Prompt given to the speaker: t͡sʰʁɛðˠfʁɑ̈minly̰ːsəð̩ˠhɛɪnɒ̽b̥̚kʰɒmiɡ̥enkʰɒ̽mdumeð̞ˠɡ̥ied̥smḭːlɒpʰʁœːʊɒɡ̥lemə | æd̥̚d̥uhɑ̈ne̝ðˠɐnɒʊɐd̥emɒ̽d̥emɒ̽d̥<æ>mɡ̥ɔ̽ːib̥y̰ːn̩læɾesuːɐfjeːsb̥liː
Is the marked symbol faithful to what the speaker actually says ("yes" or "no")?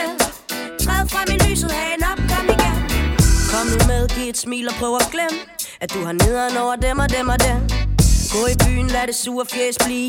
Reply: no